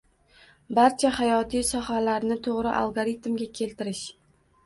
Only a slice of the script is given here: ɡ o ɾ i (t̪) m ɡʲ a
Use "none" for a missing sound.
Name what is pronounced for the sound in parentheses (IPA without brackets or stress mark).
t̪